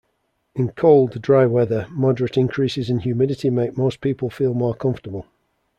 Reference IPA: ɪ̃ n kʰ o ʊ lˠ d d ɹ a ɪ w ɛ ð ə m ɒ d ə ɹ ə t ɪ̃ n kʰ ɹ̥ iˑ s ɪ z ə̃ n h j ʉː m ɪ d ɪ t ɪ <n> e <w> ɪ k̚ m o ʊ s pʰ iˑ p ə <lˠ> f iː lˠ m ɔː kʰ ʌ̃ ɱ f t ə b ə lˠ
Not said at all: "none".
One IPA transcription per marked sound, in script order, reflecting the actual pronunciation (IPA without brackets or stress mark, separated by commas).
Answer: m, none, lˠ